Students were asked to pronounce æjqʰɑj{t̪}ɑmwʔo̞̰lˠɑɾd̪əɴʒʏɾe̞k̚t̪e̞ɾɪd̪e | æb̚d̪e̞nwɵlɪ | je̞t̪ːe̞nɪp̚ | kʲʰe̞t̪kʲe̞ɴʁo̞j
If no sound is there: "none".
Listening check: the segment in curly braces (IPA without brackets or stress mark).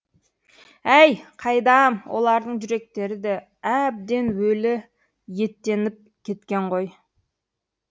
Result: d̪